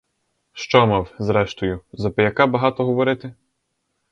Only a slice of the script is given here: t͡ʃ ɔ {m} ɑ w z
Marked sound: correct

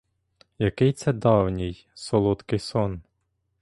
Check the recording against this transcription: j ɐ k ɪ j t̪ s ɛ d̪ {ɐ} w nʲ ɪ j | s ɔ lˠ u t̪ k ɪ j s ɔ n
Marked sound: incorrect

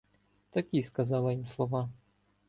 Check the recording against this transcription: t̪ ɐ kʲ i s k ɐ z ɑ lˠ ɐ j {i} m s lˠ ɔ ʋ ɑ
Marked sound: correct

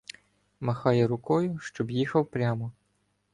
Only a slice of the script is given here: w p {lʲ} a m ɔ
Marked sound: incorrect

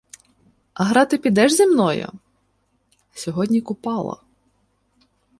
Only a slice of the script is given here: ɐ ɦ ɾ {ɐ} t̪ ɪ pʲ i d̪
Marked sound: incorrect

